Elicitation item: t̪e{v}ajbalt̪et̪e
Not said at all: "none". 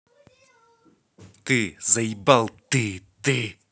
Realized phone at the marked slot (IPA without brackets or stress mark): z